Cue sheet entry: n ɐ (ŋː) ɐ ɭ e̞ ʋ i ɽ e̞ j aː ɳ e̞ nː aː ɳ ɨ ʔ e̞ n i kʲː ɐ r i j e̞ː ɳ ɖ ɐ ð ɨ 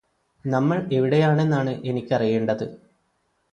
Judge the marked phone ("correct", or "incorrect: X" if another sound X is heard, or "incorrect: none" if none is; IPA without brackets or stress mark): incorrect: mː